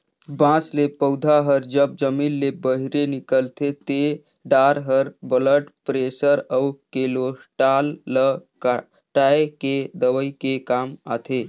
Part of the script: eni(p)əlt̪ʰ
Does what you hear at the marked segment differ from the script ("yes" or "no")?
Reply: yes